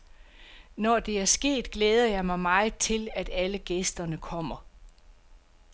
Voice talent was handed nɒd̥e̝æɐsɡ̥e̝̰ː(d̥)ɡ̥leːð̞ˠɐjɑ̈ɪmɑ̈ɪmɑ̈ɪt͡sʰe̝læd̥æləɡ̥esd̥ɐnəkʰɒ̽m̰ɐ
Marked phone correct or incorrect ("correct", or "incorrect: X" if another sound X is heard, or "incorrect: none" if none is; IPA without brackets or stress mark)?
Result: correct